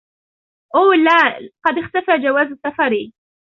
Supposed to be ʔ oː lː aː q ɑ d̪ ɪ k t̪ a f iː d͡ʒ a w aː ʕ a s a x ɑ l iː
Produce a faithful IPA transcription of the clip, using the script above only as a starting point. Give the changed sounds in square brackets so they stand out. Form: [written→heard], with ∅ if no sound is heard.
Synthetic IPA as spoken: ʔ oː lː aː q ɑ d̪ ɪ [k→x] t̪ a f [iː→aː] d͡ʒ a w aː [ʕ→z] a s a [x→f] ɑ [l→ɾ] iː